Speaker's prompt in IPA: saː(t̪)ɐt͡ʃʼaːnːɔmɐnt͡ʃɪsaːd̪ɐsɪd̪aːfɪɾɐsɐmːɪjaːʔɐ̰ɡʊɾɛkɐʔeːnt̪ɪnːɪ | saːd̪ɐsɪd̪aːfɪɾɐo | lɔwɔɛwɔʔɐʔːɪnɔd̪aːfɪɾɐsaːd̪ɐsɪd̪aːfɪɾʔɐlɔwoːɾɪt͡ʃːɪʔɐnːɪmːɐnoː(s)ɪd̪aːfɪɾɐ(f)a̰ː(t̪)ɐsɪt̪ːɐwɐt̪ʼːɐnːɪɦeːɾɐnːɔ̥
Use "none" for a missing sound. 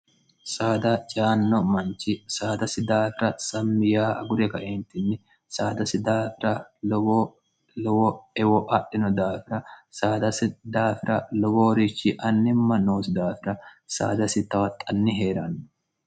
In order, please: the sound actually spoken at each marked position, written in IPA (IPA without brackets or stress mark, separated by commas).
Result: d̪, s, s, d̪